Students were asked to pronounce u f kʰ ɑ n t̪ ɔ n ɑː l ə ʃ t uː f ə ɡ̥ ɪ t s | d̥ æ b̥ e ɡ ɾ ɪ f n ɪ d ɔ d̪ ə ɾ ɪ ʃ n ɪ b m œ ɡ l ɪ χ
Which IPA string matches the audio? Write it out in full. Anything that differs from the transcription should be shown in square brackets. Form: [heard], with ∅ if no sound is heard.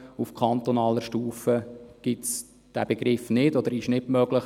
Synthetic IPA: u f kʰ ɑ n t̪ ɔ n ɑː l ə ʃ t uː f ə ɡ̥ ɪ t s | d̥ æ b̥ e ɡ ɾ ɪ f n ɪ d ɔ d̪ ə ɾ ɪ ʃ n ɪ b m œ ɡ l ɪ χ